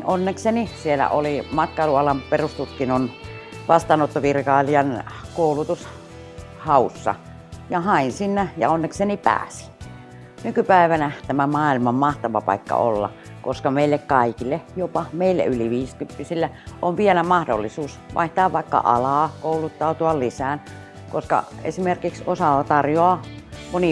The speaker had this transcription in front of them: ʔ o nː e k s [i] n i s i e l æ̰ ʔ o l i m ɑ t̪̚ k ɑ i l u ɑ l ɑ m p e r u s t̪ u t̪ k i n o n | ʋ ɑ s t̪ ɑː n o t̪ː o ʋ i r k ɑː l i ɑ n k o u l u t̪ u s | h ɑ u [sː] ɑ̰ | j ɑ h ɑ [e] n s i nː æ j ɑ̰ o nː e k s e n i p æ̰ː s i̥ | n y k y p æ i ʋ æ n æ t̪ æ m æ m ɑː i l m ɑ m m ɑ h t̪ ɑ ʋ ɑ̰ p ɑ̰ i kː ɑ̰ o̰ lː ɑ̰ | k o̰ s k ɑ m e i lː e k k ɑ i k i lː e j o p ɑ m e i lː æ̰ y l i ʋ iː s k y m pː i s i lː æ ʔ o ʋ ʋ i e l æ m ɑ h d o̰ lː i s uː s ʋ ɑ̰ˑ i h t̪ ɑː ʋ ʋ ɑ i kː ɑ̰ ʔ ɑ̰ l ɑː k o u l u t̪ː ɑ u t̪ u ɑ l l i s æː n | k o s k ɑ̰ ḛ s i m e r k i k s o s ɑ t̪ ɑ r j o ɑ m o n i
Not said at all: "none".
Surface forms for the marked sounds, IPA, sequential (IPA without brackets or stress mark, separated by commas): e, sː, i